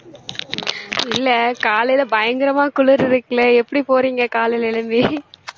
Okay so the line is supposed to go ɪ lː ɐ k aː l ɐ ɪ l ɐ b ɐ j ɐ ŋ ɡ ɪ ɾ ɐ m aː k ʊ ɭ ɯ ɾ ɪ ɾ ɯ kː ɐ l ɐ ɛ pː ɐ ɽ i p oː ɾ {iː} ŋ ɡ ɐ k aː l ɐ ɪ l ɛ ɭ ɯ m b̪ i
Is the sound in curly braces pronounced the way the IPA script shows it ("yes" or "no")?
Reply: yes